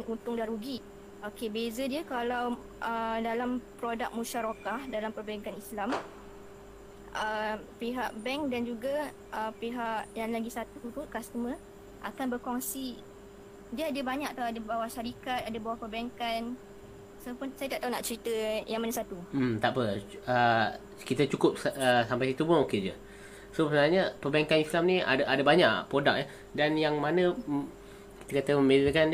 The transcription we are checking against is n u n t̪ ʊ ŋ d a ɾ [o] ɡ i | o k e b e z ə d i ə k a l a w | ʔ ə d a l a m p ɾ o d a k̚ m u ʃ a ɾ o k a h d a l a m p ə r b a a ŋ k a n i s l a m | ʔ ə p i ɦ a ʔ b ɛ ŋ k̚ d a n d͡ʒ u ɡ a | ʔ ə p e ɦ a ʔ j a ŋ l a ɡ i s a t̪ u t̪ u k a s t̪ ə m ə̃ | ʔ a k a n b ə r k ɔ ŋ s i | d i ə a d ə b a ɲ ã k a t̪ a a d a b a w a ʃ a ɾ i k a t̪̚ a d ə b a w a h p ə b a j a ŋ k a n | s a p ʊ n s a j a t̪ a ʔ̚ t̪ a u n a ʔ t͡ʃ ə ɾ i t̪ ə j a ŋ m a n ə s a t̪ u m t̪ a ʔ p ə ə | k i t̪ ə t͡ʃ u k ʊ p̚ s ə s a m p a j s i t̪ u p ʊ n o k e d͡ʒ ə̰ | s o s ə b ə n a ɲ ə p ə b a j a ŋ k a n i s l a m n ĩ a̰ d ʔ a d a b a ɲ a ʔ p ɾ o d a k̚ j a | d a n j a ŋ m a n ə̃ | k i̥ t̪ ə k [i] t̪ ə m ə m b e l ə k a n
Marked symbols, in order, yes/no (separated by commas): no, no